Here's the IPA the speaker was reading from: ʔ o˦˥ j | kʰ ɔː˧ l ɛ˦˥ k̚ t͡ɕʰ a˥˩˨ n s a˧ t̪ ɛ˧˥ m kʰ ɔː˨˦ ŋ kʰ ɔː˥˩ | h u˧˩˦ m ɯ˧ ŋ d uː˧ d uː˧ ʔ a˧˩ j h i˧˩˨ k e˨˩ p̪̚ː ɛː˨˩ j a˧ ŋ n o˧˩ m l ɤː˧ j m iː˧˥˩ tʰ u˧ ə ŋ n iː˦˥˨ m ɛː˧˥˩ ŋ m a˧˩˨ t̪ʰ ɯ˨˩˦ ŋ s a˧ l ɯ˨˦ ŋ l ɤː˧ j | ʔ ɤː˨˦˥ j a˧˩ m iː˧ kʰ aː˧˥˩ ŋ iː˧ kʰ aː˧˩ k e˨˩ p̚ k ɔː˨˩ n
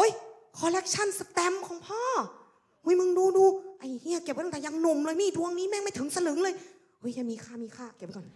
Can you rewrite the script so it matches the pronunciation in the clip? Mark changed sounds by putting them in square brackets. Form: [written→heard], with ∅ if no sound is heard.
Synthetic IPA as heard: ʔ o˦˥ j | kʰ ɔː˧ l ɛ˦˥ k̚ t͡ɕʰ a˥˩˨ n s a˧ t̪ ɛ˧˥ m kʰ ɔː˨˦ ŋ [kʰ→pʰ] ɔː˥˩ | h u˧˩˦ m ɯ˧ ŋ d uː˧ d uː˧ ʔ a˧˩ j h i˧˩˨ k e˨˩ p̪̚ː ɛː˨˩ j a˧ ŋ n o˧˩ m l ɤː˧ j m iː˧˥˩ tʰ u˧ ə ŋ n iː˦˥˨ m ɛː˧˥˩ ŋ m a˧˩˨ t̪ʰ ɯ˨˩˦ ŋ s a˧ l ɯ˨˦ ŋ l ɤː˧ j | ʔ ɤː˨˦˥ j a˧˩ m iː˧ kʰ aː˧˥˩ [ŋ→m] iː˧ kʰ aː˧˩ k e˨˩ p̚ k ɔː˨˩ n